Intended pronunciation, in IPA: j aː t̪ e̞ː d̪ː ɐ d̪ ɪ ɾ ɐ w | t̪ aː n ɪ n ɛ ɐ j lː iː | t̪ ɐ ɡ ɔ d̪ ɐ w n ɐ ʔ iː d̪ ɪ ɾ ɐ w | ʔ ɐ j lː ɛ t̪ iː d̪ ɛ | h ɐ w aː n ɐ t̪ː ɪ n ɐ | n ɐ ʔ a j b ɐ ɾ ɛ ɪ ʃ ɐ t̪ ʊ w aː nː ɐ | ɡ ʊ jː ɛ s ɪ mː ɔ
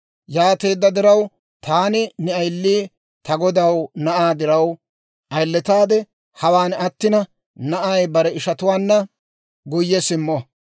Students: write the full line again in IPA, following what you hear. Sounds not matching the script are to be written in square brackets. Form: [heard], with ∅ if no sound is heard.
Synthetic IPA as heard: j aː t̪ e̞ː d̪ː ɐ d̪ ɪ ɾ ɐ w | t̪ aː n ɪ n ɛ ɐ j lː iː | t̪ ɐ ɡ ɔ d̪ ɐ w n ɐ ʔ [aː] d̪ ɪ ɾ ɐ w | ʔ ɐ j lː ɛ t̪ [aː] d̪ ɛ | h ɐ w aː n ɐ t̪ː ɪ n ɐ | n ɐ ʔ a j b ɐ ɾ ɛ ɪ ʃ ɐ t̪ ʊ w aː nː ɐ | ɡ ʊ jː ɛ s ɪ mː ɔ